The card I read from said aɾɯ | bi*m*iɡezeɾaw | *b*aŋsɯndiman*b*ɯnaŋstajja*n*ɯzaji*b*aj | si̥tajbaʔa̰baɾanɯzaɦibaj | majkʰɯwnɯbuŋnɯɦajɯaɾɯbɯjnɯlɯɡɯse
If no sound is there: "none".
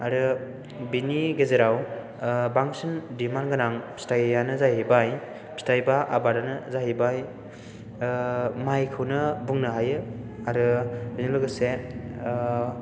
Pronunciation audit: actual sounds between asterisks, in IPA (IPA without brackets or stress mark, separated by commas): n, b, ɡ, n, b